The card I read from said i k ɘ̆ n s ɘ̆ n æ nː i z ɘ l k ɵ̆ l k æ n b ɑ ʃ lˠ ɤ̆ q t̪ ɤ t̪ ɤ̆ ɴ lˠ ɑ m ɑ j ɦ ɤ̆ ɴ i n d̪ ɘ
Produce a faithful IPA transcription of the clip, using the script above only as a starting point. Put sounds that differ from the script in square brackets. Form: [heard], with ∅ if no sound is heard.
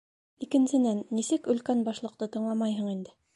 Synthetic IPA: i k ɘ̆ n s ɘ̆ n æ nː i [s] ɘ [∅] k ɵ̆ l k æ n b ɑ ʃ lˠ ɤ̆ q t̪ ɤ t̪ ɤ̆ ɴ lˠ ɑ m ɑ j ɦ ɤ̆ ɴ i n d̪ ɘ